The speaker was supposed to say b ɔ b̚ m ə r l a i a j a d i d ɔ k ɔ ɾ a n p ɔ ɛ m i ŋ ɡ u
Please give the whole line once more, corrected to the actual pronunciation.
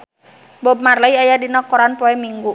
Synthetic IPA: b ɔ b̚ m a r l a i a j a d i n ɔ k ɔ ɾ a n p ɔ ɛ m i ŋ ɡ u

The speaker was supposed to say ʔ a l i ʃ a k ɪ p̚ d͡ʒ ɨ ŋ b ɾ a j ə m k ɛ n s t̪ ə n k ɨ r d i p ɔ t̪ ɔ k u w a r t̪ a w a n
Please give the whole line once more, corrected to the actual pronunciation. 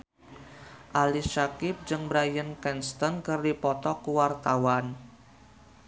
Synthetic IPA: ʔ a l i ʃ a k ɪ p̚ d͡ʒ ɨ ŋ b ɾ a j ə n k ɛ n s t̪ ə n k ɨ r d i p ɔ t̪ ɔ k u w a r t̪ a w a n

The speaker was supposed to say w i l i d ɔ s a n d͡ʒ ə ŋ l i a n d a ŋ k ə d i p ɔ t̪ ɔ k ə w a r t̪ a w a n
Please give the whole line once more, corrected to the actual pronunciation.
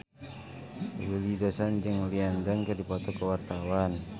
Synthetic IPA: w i l i d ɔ s a n d͡ʒ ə ŋ l i a n d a ŋ k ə d i p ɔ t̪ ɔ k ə w a r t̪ a w a n

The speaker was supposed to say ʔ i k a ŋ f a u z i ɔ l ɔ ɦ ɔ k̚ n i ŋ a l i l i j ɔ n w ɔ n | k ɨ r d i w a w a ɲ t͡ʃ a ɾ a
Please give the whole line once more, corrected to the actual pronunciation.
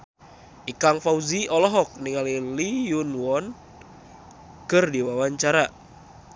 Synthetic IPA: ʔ i k a ŋ f a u z i ɔ l ɔ ɦ ɔ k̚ n i ŋ a l i l i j u n w ɔ n | k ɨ r d i w a w a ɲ t͡ʃ a ɾ a

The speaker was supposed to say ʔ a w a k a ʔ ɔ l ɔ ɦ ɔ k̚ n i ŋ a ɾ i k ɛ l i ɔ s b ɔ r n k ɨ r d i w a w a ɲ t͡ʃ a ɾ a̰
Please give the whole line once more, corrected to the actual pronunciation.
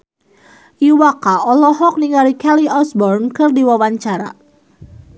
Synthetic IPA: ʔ i w a k a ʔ ɔ l ɔ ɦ ɔ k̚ n i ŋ a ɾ i k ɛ l i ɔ s b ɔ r n k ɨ r d i w a w a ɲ t͡ʃ a ɾ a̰

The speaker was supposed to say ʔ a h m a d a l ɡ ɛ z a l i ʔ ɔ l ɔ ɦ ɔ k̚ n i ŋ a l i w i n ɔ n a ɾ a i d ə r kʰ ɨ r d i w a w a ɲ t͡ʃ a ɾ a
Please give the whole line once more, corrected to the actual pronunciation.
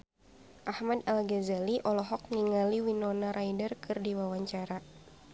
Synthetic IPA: ʔ a h m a d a l ɡ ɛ z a l i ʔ ɔ l ɔ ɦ ɔ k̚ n i ŋ a l i w i n ɔ n a ɾ a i d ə r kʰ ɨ r d i w a w a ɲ t͡ʃ a ɾ a

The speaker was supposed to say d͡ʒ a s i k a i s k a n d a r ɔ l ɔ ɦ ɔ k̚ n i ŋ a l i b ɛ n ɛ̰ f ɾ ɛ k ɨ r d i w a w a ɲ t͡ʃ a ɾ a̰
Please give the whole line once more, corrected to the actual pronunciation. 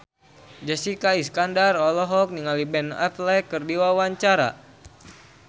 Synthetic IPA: d͡ʒ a s i k a i s k a n d a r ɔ l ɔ ɦ ɔ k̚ n i ŋ a l i b ɛ n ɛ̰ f l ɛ k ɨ r d i w a w a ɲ t͡ʃ a ɾ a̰

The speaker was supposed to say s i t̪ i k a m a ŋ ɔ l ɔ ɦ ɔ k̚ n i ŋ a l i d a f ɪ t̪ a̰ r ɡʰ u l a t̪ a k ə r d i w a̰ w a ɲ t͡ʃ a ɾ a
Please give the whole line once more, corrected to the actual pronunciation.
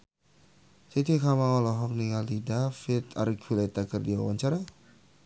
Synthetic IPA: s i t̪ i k a m a ŋ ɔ l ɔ ɦ ɔ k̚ n i ŋ a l i d a f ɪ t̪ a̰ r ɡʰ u l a t̪ a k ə r d i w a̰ w a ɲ t͡ʃ a ɾ a

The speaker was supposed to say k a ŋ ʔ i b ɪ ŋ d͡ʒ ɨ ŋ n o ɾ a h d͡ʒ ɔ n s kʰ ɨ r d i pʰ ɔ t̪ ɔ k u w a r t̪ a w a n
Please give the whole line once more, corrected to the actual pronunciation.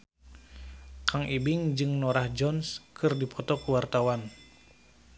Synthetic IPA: k a ŋ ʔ i b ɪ ŋ d͡ʒ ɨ ŋ n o ɾ a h d͡ʒ ɔ n s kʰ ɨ r d i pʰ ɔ t̪ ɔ k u w a r t̪ a w a n

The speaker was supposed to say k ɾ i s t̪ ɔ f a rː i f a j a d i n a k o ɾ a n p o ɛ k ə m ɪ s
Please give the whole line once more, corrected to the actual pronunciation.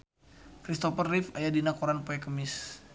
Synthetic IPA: k ɾ i s t̪ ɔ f ə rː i f a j a d i n a k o ɾ a n p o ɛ k ə m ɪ s

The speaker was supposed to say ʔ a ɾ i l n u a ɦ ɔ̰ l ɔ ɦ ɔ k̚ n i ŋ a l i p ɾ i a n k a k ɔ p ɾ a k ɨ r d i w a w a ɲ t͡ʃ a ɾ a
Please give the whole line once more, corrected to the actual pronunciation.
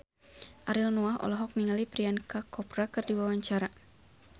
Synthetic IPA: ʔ a ɾ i l n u a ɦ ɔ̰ l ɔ ɦ ɔ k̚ n i ŋ a l i p ɾ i a n k a k ɔ p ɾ a k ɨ r d i w a w a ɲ t͡ʃ a ɾ a

